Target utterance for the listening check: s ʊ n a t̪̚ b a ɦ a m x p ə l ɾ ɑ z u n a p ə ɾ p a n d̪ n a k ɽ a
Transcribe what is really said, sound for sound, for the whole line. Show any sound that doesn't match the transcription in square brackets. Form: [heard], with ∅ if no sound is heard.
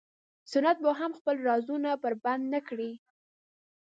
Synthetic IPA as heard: s ʊ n a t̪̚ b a ɦ a m x p ə l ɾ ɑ z u n a p ə ɾ [b] a n d̪ n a k ɽ [i]